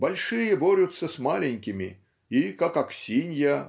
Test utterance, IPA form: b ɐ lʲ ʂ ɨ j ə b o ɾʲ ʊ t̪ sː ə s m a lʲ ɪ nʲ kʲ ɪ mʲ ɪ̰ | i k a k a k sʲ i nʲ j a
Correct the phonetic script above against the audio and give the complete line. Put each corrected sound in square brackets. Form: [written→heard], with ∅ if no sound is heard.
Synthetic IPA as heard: b ɐ lʲ ʂ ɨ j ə b o ɾʲ ʊ t̪ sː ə s m a lʲ ɪ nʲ kʲ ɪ mʲ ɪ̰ | i k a k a k sʲ i nʲ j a

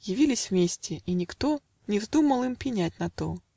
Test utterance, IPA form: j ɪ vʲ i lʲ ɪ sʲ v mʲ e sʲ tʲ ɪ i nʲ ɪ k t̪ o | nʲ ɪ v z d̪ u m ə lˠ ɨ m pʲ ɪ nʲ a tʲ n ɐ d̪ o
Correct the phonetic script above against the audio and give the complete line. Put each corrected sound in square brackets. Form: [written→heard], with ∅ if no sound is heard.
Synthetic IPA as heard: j ɪ vʲ i lʲ ɪ sʲ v mʲ e sʲ tʲ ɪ i nʲ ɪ k t̪ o | nʲ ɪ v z d̪ u m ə lˠ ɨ m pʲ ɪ nʲ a tʲ n ɐ [d̪→t̪] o

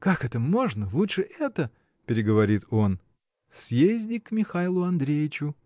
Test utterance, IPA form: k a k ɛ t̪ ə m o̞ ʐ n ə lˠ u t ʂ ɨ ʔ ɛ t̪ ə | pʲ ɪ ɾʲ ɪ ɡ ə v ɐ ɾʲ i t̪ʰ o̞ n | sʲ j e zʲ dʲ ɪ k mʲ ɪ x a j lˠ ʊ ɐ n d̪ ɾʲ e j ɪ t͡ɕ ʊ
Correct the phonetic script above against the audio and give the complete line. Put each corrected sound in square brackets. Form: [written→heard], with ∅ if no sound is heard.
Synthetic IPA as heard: k a k ɛ t̪ ə m o̞ ʐ n ə lˠ u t ʂ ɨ ʔ ɛ t̪ ə | pʲ ɪ ɾʲ ɪ ɡ ə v ɐ ɾʲ i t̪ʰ o̞ n | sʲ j e zʲ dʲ ɪ k mʲ ɪ x a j lˠ ʊ ɐ n d̪ ɾʲ e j ɪ t͡ɕ ʊ

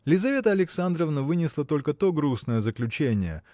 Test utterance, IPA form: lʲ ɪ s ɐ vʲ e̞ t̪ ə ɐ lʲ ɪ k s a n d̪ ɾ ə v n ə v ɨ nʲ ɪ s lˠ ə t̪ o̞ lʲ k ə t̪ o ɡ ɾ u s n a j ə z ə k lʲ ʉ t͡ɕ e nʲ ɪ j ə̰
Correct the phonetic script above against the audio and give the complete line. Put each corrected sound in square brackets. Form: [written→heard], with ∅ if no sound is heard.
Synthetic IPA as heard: lʲ ɪ [s→z] ɐ vʲ e̞ t̪ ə ɐ lʲ ɪ k s a n d̪ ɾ ə v n ə v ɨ nʲ ɪ s lˠ ə t̪ o̞ lʲ k ə t̪ o ɡ ɾ u s n [a→ə] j ə z ə k lʲ ʉ t͡ɕ e nʲ ɪ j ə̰

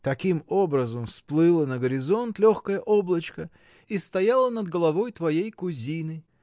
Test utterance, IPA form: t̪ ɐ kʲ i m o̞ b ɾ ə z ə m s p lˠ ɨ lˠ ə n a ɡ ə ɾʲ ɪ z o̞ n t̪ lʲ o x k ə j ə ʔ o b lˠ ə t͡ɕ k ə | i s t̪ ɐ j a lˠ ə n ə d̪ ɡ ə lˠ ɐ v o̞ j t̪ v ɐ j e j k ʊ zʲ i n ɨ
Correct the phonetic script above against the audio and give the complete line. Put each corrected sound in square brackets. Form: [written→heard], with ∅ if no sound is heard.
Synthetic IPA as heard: t̪ ɐ kʲ i m o̞ b ɾ ə z ə m s p lˠ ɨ lˠ ə n [a→ə] ɡ ə ɾʲ ɪ z o̞ n t̪ lʲ o x k ə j ə ʔ o b lˠ ə t͡ɕ k ə | i s t̪ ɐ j a lˠ ə n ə d̪ ɡ ə lˠ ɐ v o̞ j t̪ v ɐ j e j k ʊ zʲ i n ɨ

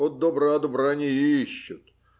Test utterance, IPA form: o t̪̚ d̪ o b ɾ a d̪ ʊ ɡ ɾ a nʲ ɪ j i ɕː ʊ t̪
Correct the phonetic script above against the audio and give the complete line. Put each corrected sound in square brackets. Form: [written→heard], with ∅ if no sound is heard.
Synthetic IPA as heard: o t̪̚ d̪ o b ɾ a d̪ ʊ [ɡ→b] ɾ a nʲ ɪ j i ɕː ʊ t̪

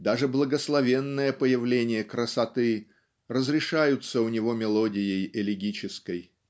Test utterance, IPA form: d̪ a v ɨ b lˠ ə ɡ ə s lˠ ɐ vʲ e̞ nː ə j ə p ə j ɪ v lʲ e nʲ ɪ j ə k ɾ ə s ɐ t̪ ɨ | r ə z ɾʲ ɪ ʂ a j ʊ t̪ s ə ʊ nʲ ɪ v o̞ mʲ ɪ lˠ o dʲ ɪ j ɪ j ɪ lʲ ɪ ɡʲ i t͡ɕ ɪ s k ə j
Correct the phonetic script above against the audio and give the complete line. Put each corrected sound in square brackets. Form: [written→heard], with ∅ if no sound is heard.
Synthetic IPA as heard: d̪ a [v→ʐ] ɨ b lˠ ə ɡ ə s lˠ ɐ vʲ e̞ nː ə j ə p ə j ɪ v lʲ e nʲ ɪ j ə k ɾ ə s ɐ t̪ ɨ | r ə z ɾʲ ɪ ʂ a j ʊ t̪ s ə ʊ nʲ ɪ v o̞ mʲ ɪ lˠ o dʲ ɪ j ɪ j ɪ lʲ ɪ ɡʲ i t͡ɕ ɪ s k ə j

